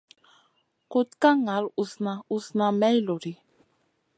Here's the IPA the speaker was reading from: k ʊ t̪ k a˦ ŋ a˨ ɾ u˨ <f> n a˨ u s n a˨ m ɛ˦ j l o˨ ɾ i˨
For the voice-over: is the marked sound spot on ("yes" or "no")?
no